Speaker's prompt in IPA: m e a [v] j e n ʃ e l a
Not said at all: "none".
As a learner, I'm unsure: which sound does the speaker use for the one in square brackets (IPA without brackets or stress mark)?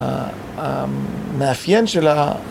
f